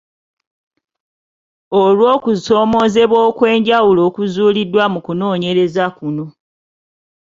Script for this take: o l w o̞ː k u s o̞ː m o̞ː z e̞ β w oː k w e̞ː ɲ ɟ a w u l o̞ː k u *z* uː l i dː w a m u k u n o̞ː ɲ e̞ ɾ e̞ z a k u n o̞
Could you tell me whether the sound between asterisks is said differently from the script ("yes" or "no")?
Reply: no